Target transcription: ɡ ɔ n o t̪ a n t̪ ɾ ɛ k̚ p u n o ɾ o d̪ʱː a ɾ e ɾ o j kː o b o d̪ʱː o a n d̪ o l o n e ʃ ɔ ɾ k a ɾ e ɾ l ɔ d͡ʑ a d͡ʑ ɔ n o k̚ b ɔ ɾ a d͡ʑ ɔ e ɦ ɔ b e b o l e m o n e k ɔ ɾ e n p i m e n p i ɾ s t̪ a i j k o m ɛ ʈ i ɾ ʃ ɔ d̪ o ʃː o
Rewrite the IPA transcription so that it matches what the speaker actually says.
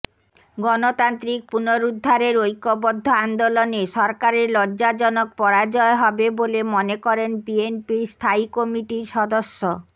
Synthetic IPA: ɡ ɔ n o t̪ a n t̪ ɾ i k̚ p u n o ɾ u d̪ʱː a ɾ e ɾ o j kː o b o d̪ʱː o a n d̪ o l o n e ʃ ɔ ɾ k a ɾ e ɾ l ɔ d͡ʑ a d͡ʑ ɔ n o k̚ p ɔ ɾ a d͡ʑ ɔ e ɦ ɔ b e b o l e m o n e k ɔ ɾ e n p i e n p i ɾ s t̪ʰ a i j k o m i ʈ i ɾ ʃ ɔ d̪ o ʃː o